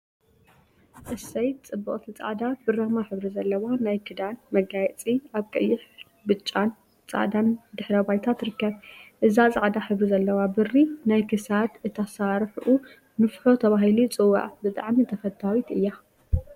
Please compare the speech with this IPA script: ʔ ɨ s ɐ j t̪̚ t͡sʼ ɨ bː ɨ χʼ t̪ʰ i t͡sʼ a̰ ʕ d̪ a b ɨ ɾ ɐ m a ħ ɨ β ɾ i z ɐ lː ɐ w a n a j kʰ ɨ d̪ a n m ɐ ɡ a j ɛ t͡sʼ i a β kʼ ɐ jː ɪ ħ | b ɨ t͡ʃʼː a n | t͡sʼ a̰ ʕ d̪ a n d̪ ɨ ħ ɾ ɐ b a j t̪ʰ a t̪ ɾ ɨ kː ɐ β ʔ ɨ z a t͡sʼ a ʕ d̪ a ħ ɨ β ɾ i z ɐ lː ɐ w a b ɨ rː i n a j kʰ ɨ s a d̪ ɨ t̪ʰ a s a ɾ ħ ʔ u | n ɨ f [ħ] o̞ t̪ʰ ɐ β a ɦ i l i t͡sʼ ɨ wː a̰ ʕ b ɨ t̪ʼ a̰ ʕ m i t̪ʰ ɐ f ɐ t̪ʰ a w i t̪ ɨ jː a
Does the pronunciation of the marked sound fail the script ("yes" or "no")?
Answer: no